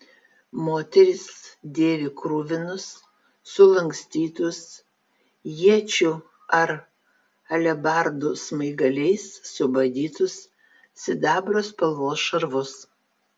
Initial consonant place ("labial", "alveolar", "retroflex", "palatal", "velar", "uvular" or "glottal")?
labial